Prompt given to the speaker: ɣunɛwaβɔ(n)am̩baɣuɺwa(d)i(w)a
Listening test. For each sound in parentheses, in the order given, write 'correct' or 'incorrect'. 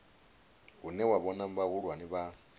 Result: correct, incorrect: n, incorrect: β

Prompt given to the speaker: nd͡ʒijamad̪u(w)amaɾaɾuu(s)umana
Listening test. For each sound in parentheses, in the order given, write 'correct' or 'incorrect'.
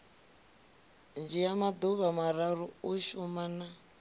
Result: incorrect: β, incorrect: ʃ

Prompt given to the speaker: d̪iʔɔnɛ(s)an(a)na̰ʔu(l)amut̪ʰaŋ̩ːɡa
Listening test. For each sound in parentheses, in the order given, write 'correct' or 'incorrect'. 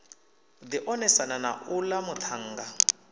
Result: correct, correct, correct

